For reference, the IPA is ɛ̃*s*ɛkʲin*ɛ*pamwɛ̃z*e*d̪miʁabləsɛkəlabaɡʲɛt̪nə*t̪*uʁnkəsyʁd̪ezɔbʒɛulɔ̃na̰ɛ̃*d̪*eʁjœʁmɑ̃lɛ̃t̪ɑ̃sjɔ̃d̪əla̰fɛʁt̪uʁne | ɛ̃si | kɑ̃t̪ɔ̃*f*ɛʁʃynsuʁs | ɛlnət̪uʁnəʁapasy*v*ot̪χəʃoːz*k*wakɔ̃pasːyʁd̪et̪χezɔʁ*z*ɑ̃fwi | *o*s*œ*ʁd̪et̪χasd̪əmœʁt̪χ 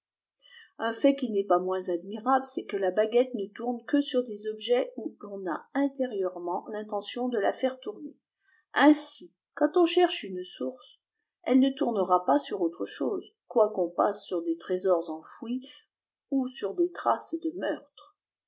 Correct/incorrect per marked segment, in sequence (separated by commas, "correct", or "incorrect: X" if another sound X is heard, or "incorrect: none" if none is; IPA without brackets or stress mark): incorrect: f, correct, incorrect: a, correct, incorrect: t̪, incorrect: ʃ, incorrect: ʁ, correct, correct, incorrect: u, incorrect: y